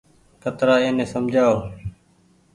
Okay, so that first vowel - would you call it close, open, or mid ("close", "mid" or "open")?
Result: mid